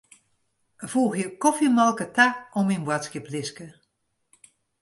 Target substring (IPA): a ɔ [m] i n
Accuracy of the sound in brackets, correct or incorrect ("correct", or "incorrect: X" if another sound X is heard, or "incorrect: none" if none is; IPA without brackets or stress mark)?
correct